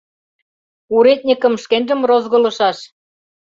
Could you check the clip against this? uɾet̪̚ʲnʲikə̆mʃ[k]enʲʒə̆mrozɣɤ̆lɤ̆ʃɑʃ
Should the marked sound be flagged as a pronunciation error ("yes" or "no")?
no